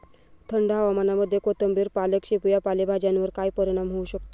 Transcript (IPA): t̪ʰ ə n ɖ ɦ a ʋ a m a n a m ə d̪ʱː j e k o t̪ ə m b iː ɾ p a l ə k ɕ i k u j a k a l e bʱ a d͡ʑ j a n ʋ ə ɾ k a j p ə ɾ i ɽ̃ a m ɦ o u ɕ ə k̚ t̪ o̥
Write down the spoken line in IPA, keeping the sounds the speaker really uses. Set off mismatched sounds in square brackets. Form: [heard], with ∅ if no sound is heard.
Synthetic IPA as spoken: t̪ʰ ə [ɳ] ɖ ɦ a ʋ a m a n a m ə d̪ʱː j e k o t̪ ə m b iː ɾ p a l ə k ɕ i [p] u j a [p] a l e bʱ a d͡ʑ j a n ʋ ə ɾ k a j p ə ɾ i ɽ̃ a m ɦ o u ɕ ə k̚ t̪ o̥